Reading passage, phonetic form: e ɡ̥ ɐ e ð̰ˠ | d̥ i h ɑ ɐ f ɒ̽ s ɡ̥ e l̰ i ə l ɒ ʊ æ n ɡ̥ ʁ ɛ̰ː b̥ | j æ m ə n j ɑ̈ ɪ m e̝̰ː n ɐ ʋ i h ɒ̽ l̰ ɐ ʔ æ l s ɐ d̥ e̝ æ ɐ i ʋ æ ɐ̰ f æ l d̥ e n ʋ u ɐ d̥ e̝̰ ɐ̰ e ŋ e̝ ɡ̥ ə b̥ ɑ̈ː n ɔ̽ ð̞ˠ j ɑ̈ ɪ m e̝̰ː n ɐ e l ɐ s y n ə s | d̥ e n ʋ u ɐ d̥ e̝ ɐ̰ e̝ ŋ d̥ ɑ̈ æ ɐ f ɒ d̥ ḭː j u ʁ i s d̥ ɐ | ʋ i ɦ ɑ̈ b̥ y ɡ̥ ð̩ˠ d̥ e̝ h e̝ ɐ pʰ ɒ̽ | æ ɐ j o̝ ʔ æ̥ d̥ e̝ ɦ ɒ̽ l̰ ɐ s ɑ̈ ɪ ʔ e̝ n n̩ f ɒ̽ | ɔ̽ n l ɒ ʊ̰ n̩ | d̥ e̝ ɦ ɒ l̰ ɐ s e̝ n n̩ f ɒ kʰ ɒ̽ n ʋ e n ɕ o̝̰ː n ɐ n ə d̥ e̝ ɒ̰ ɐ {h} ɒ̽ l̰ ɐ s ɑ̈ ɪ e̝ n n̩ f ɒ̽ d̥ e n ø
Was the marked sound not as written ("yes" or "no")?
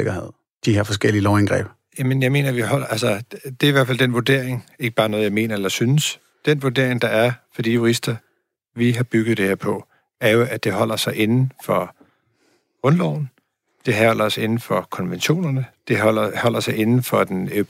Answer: no